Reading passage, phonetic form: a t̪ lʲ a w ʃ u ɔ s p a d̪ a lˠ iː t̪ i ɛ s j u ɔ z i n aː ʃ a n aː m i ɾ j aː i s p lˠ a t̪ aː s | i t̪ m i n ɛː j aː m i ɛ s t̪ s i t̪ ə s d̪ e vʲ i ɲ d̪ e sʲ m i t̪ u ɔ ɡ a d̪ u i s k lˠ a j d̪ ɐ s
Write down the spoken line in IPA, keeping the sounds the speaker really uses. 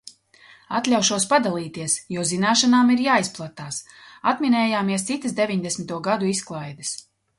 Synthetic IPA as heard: a t̪ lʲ a w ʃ u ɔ s p a d̪ a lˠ iː t̪ i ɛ s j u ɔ z i n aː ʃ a n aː m i ɾ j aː i s p lˠ a t̪ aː s | a t̪ m i n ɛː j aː m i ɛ s t̪ s i t̪ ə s d̪ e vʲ i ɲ d̪ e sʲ m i t̪ u ɔ ɡ a d̪ u i s k lˠ a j d̪ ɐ s